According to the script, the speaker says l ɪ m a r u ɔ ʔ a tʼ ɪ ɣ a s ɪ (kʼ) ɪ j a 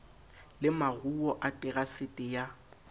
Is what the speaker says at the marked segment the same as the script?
no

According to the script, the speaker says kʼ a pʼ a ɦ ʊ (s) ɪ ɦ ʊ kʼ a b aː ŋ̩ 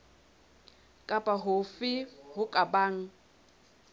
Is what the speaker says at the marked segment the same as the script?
no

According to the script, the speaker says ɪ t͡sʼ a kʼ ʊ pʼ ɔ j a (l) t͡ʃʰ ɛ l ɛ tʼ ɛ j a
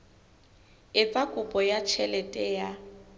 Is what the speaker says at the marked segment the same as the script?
no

